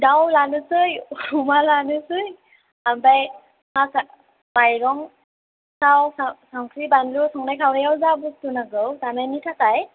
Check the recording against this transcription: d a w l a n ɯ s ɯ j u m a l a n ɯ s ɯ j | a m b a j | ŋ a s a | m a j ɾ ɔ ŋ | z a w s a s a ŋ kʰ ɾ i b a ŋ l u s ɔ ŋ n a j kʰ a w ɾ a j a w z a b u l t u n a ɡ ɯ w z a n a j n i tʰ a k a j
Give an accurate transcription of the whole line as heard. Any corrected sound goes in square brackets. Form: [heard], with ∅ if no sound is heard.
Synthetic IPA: d a w l a n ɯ s ɯ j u m a l a n ɯ s ɯ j | a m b a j | ŋ a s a | m a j ɾ ɔ ŋ | [s] a w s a s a ŋ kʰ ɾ i b a [n] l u s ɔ ŋ n a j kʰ a w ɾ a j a w z a b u [∅] t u n a ɡ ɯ w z a n a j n i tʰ a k a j